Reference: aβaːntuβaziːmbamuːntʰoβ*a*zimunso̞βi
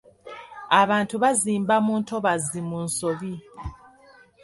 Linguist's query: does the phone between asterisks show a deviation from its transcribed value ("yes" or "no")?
no